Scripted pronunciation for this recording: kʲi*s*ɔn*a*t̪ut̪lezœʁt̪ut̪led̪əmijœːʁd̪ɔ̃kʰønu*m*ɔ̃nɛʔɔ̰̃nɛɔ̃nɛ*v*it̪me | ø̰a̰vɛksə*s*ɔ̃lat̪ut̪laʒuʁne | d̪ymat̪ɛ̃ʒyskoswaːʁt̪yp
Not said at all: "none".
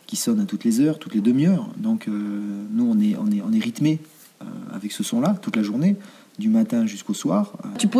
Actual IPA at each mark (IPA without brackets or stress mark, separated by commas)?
s, a, none, ʁ, s